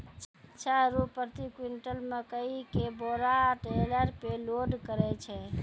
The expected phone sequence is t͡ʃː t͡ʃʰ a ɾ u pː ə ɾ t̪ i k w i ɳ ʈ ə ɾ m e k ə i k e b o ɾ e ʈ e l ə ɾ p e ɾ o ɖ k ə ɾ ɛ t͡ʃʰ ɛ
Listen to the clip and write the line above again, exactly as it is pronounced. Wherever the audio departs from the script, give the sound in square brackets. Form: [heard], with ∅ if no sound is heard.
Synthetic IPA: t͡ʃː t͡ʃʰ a ɾ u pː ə ɾ t̪ i k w i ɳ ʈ ə [l] m e k ə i k e b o ɾ [a] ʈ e l ə ɾ p e [l] o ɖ k ə ɾ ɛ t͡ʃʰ ɛ

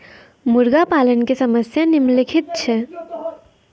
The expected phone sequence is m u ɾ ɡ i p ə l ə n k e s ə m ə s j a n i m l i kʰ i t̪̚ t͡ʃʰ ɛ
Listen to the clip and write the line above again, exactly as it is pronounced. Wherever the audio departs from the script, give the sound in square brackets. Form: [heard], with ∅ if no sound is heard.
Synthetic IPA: m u ɾ ɡ [a] p [a] l ə n k e s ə m ə s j a n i m l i kʰ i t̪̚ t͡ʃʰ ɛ

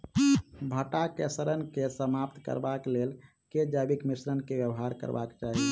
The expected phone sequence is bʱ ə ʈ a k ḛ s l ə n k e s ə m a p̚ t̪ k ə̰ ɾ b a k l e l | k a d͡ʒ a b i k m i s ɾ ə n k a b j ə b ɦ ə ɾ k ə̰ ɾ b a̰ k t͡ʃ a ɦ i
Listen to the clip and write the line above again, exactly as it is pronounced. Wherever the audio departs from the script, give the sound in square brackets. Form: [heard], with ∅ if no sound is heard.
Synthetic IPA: bʱ ə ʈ a k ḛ s [ɾ] ə n k e s ə m a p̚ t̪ k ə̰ ɾ b a k l e l | k [e] d͡ʒ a b i k m i s ɾ ə n k [e] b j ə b ɦ [a] ɾ k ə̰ ɾ b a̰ k t͡ʃ a ɦ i

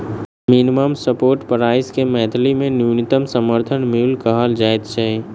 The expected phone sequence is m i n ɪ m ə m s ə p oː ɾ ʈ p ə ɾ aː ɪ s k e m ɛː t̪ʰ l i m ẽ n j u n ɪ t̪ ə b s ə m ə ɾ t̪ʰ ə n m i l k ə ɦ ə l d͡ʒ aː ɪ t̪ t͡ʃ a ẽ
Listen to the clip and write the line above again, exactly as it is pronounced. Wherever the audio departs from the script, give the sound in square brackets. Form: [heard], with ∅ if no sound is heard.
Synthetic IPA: m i n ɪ m ə m s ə p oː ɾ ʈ p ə ɾ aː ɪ s k e m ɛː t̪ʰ l i m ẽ n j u n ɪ t̪ ə [m] s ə m ə ɾ t̪ʰ ə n m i l k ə ɦ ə l d͡ʒ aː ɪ t̪ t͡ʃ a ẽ

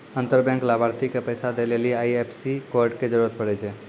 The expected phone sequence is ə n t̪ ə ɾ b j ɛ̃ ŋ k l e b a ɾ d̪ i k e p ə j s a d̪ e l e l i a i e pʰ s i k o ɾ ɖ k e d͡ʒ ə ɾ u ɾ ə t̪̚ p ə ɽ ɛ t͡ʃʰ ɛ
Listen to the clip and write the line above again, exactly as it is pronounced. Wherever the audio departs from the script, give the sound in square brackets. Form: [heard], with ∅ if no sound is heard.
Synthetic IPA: ə n t̪ ə ɾ b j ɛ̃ ŋ k l [a] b a ɾ [t̪] i k e p ə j s a d̪ e l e l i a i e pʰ s i k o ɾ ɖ k e d͡ʒ ə ɾ u ɾ ə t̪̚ p ə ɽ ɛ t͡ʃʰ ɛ

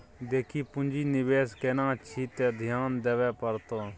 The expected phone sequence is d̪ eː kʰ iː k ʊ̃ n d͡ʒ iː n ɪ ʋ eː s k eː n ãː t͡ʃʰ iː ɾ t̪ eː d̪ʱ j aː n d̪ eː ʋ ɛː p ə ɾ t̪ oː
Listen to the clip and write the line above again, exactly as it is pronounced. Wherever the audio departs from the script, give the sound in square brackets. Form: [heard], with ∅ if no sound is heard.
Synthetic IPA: d̪ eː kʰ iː [p] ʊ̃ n d͡ʒ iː n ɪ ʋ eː s k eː n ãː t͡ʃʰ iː [∅] t̪ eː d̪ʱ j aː n d̪ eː ʋ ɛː p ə ɾ t̪ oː

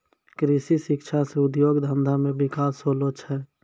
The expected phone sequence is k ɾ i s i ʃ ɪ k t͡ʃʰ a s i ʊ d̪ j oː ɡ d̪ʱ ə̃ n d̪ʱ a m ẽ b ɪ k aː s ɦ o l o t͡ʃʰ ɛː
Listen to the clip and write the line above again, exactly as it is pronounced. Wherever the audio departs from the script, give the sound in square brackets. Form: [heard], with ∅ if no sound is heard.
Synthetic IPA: k ɾ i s i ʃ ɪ k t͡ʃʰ a s [e] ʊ d̪ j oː ɡ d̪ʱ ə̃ n d̪ʱ a m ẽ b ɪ k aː s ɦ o l o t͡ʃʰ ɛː

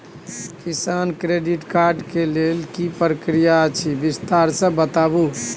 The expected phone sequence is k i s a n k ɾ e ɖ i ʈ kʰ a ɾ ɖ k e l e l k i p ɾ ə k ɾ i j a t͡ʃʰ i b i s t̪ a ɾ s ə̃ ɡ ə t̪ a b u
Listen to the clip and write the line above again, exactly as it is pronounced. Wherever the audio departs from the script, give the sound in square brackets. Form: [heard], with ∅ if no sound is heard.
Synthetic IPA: k i s a n k ɾ e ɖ i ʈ [k] a ɾ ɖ k e l e l k i p ɾ ə k ɾ i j a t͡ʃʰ i b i s t̪ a ɾ s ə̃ [b] ə t̪ a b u

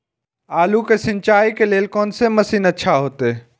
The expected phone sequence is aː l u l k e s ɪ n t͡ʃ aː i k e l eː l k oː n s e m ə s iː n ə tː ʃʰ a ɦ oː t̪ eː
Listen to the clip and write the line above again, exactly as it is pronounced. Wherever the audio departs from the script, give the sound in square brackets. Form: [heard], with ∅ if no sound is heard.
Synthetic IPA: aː l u [∅] k e s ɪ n t͡ʃ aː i k e l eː l k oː n s e m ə s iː n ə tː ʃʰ a ɦ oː t̪ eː

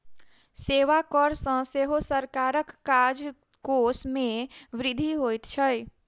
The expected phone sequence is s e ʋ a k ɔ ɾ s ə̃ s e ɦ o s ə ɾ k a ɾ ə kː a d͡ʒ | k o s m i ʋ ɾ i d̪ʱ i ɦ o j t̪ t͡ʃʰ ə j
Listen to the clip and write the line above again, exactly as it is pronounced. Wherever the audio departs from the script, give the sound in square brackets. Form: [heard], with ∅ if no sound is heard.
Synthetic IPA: s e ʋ a k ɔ ɾ s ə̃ s e ɦ o s ə ɾ k a ɾ ə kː a d͡ʒ | k o s m [e] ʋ ɾ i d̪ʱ i ɦ o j t̪ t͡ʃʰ ə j

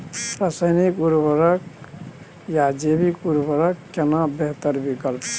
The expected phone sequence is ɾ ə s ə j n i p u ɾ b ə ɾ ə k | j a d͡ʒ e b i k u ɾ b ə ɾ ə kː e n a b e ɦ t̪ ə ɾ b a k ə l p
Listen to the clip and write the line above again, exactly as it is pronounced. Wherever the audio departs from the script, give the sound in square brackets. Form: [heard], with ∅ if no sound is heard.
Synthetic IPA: ɾ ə s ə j n i [k] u ɾ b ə ɾ ə k | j a d͡ʒ e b i k u ɾ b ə ɾ ə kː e n a b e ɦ t̪ ə ɾ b [i] k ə l p

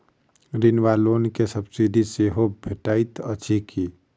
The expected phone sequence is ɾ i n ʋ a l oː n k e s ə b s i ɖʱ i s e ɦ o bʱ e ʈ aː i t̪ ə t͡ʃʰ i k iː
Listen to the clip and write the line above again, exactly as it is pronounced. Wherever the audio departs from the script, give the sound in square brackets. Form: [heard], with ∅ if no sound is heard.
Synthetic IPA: ɾ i n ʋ a l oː n k e s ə b s i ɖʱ i s e ɦ o bʱ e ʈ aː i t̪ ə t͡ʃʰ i k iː

